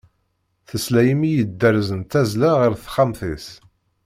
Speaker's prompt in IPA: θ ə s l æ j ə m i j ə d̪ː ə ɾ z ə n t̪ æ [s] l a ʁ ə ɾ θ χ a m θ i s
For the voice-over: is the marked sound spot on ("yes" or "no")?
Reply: no